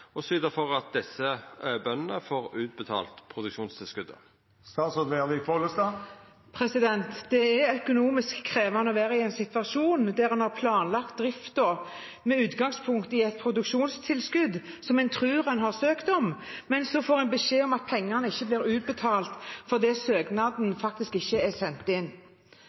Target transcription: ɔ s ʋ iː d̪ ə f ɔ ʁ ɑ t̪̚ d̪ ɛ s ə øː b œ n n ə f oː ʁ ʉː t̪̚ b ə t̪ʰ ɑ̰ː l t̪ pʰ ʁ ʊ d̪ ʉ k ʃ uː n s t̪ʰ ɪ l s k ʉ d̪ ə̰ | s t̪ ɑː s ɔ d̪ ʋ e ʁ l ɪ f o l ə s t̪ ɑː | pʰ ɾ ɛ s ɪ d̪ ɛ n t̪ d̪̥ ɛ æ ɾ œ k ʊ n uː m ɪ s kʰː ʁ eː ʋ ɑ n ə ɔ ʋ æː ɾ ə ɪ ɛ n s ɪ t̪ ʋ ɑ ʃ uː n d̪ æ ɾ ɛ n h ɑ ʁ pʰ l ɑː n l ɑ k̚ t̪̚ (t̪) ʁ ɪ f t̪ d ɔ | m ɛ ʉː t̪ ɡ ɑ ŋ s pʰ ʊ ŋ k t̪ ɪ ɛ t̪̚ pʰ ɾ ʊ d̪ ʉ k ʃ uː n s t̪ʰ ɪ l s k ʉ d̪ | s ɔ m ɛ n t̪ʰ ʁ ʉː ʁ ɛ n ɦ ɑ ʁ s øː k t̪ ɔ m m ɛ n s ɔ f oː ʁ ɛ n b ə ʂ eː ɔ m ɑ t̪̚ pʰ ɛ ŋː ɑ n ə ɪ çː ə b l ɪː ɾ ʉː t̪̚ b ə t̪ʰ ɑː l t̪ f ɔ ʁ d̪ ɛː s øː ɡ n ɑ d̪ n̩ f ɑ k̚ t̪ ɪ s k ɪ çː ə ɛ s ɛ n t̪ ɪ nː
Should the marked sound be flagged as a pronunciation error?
yes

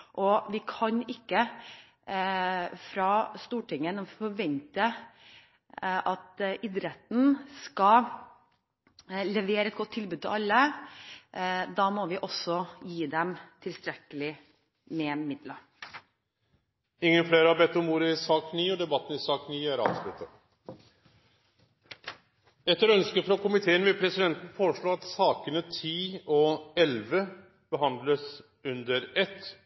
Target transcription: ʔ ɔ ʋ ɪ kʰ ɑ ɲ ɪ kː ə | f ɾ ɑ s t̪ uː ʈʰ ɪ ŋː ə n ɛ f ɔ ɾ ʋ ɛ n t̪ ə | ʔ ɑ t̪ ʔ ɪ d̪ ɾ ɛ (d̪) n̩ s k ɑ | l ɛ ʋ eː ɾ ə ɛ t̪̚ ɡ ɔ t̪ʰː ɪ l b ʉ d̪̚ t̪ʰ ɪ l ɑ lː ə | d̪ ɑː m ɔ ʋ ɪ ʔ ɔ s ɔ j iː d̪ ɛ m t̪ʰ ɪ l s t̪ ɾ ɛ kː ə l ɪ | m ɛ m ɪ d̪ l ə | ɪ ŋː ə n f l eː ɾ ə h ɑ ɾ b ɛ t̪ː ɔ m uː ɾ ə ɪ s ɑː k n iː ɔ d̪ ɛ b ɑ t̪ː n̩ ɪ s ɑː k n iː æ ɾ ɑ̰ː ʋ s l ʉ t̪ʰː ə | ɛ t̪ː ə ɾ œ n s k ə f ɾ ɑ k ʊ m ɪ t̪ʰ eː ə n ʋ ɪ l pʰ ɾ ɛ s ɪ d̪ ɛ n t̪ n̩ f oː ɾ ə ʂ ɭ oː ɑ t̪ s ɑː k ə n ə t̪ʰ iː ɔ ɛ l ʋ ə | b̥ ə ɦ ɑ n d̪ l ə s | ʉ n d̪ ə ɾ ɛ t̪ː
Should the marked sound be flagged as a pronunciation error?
yes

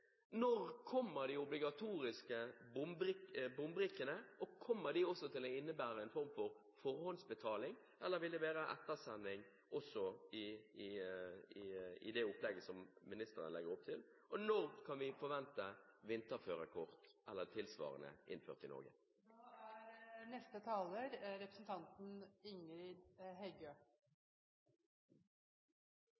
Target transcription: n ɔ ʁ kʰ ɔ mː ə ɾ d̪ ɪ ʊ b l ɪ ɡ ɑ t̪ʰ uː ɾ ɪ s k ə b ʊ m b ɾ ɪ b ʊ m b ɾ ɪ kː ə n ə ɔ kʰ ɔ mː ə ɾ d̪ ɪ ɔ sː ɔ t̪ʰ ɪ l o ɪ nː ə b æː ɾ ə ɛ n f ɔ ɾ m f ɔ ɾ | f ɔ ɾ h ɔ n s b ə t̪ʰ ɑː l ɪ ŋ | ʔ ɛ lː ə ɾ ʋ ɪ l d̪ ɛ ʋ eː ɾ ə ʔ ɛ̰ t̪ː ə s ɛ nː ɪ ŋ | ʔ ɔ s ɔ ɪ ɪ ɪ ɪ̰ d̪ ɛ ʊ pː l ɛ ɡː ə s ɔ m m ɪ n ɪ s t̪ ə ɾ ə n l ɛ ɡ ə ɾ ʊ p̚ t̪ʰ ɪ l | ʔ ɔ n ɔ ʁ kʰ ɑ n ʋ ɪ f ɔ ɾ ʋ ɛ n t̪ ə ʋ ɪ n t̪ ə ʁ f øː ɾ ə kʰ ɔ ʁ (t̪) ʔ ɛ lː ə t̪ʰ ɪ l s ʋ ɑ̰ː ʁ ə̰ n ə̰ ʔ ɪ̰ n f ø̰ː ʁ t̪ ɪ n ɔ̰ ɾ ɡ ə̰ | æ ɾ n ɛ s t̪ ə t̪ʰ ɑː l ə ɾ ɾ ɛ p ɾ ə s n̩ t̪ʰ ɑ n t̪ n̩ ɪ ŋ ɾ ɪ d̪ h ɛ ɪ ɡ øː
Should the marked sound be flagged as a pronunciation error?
no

